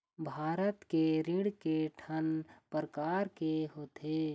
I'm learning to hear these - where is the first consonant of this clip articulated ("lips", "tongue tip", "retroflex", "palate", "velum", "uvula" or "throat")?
lips